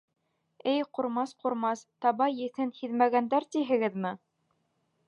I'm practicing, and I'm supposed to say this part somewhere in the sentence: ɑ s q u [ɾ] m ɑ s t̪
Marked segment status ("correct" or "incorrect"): correct